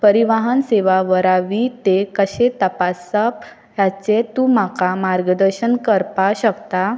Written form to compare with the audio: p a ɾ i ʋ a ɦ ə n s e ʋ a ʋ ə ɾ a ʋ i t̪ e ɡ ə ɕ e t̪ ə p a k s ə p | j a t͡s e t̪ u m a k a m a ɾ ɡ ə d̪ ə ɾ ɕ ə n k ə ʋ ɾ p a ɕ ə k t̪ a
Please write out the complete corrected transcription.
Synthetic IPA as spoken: p ə ɾ i ʋ a ɦ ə n s e ʋ a ʋ ə ɾ a ʋ i t̪ e k ə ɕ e t̪ ə p a s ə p | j a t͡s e t̪ u m a k a m a ɾ ɡ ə d̪ ə ɾ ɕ ə n k ə ɾ p a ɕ ə k t̪ a